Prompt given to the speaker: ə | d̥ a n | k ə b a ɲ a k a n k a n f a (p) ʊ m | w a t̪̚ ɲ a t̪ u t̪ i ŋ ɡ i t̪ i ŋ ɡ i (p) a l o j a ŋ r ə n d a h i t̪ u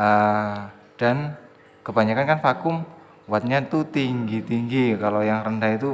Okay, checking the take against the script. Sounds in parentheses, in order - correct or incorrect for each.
incorrect, incorrect

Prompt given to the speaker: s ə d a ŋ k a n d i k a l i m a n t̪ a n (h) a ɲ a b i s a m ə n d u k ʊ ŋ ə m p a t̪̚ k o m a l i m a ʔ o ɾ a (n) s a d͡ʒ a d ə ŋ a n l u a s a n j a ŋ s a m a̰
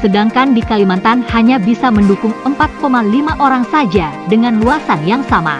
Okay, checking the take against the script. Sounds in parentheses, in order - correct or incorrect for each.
correct, incorrect

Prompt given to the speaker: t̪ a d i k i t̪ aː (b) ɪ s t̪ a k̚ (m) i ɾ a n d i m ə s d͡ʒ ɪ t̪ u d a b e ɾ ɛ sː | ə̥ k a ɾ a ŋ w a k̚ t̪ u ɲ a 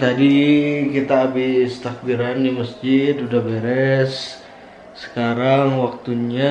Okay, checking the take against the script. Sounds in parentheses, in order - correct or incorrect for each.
correct, incorrect

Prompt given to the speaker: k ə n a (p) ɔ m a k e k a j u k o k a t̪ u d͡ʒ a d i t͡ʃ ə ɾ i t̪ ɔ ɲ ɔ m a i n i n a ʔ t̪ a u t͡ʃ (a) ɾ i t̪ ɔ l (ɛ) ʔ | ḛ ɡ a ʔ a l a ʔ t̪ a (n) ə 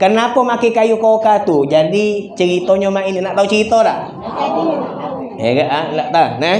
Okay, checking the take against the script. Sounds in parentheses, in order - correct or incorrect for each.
correct, incorrect, incorrect, correct

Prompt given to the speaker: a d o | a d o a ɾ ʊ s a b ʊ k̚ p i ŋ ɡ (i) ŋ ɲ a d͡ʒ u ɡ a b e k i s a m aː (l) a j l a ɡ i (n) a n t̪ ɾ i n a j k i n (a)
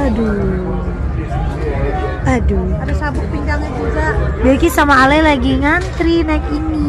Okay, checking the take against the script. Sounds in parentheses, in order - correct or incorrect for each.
incorrect, correct, incorrect, incorrect

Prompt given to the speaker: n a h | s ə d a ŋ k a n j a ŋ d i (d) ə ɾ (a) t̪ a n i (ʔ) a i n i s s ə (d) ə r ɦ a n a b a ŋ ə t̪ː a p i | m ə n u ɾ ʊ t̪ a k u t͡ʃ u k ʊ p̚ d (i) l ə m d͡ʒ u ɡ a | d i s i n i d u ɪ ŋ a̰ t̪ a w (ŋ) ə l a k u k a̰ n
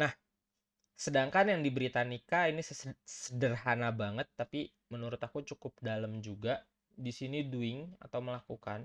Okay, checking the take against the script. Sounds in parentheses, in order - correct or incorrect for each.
incorrect, incorrect, incorrect, correct, incorrect, incorrect

